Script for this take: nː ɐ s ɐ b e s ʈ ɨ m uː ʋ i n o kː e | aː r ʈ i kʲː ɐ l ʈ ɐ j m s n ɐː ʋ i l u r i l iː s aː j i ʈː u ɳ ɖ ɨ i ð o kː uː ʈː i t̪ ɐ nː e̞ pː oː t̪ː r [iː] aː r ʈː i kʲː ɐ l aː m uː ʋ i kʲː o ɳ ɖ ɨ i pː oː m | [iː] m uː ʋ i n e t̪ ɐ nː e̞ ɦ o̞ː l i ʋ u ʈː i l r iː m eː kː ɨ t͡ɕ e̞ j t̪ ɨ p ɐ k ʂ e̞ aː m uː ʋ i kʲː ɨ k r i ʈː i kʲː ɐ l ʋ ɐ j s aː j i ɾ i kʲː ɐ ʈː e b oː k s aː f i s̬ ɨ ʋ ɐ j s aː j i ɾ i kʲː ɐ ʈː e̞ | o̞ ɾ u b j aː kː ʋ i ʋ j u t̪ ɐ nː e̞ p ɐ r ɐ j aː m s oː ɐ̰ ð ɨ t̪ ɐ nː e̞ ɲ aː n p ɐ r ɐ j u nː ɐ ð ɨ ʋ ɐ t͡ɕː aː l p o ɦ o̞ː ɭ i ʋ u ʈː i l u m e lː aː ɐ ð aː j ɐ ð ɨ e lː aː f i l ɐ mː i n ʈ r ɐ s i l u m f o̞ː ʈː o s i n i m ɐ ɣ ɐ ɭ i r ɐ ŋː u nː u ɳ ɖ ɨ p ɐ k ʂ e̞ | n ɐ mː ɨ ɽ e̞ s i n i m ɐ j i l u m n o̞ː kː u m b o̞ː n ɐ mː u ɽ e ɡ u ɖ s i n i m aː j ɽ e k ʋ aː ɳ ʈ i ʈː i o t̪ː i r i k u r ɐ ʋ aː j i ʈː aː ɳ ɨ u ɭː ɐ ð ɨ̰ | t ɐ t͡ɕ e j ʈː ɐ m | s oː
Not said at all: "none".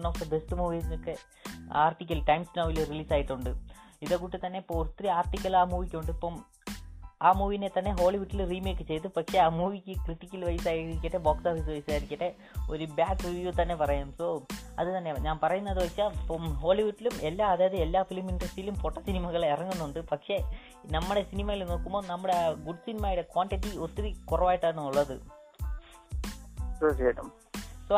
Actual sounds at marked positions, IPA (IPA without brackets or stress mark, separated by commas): i, aː